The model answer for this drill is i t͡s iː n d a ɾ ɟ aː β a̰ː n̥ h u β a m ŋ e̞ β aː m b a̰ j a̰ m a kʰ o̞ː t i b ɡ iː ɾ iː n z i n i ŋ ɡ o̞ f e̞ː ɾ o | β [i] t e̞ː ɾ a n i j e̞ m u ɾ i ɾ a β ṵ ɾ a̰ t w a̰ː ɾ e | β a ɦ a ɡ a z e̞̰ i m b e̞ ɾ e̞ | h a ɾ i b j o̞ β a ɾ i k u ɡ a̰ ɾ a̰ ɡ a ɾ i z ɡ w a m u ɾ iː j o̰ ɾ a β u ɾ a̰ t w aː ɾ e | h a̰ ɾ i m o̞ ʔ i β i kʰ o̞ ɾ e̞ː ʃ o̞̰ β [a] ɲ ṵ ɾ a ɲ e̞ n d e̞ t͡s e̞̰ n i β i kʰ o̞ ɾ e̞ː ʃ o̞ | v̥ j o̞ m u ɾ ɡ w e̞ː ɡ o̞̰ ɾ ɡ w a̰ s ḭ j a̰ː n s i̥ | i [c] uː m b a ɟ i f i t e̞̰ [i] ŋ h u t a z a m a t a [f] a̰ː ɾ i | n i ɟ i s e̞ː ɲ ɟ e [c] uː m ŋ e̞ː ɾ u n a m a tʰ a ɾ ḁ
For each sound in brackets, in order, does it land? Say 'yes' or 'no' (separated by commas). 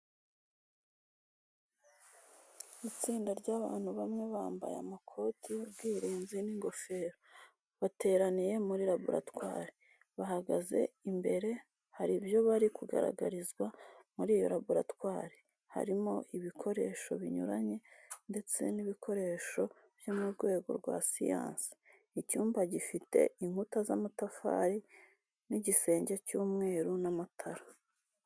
no, no, yes, yes, yes, yes